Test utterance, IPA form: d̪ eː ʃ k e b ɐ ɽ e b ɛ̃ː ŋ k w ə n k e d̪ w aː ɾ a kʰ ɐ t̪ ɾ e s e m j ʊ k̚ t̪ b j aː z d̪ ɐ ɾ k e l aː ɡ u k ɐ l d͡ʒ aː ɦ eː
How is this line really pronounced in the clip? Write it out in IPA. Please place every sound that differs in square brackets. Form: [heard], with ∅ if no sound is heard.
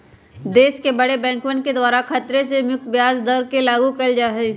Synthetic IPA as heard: d̪ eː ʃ k e b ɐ ɽ e b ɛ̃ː ŋ k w ə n k e d̪ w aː ɾ a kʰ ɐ t̪ ɾ e s e m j ʊ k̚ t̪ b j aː z d̪ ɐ ɾ k e l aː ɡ u k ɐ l d͡ʒ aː ɦ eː